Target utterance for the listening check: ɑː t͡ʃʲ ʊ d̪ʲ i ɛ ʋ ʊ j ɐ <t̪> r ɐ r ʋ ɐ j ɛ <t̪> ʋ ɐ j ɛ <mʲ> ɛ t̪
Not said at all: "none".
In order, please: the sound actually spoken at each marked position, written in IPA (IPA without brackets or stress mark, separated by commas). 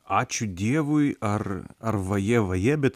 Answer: none, none, bʲ